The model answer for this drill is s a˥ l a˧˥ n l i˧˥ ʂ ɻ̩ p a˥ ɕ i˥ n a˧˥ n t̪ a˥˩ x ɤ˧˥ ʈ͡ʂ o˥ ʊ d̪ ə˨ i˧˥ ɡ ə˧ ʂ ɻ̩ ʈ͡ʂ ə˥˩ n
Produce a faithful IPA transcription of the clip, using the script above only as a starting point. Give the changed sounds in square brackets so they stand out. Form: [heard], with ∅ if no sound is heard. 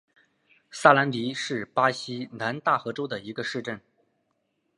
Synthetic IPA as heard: s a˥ l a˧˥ n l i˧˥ ʂ ɻ̩ p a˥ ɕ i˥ n a˧˥ n t̪ a˥˩ x ɤ˧˥ ʈ͡ʂ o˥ ʊ d̪ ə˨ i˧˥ ɡ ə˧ ʂ ɻ̩ ʈ͡ʂ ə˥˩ n

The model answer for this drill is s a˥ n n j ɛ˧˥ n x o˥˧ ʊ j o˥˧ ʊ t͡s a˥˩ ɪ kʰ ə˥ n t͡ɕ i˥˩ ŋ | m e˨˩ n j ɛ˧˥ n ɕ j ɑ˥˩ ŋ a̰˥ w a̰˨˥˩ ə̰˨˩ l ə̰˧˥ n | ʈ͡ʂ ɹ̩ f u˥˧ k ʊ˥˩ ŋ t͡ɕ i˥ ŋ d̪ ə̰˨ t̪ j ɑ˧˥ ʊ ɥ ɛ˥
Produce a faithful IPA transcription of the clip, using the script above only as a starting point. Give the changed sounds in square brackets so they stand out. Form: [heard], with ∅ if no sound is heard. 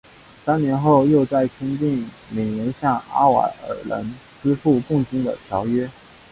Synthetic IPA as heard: s a˥ n n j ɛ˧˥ n x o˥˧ ʊ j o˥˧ ʊ t͡s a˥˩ ɪ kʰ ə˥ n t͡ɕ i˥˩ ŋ | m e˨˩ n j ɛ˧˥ n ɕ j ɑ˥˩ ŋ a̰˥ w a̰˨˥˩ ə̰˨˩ l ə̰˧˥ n | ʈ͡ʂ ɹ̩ f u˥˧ k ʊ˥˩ ŋ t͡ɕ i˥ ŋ d̪ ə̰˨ [t̪ʰ] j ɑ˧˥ ʊ ɥ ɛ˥

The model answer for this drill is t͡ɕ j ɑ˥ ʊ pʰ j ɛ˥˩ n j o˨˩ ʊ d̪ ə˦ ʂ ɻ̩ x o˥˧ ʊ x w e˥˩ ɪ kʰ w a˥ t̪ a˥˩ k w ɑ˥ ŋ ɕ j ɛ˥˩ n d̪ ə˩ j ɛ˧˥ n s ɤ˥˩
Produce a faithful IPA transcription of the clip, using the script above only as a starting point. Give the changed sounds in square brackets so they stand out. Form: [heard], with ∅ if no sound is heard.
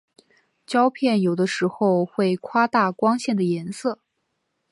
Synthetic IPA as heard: t͡ɕ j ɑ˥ ʊ pʰ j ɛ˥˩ n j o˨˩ ʊ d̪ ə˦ ʂ ɻ̩ x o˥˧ ʊ x w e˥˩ ɪ kʰ w a˥ t̪ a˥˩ k w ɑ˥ ŋ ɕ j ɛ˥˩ n d̪ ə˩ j ɛ˧˥ n s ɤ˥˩

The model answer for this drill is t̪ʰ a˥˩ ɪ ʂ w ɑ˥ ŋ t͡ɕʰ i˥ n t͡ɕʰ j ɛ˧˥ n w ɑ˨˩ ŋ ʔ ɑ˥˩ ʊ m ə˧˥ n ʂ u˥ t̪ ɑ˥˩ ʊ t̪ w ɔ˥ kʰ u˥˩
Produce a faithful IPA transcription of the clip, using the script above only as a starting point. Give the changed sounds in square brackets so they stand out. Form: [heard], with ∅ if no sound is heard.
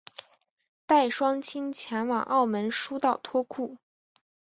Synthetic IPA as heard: [t̪] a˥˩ ɪ ʂ w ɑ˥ ŋ t͡ɕʰ i˥ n t͡ɕʰ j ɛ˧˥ n w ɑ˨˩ ŋ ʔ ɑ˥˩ ʊ m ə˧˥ n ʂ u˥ t̪ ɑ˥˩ ʊ [t̪ʰ] w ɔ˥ kʰ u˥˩

